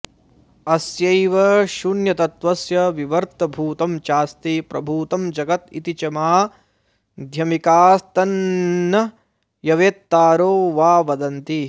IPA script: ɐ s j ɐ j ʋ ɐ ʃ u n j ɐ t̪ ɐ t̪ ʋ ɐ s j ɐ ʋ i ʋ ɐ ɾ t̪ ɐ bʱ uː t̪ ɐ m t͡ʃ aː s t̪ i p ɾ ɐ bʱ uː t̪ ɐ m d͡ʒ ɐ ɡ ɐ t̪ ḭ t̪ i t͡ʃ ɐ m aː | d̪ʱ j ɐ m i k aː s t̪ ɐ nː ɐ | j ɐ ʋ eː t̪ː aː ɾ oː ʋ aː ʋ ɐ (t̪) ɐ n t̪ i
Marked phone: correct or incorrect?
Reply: incorrect: d̪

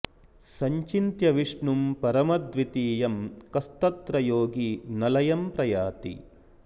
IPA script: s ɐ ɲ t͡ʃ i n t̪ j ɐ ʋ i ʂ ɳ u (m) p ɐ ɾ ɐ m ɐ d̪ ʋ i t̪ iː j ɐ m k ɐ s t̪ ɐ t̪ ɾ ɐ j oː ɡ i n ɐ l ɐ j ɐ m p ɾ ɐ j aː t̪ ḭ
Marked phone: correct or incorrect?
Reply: correct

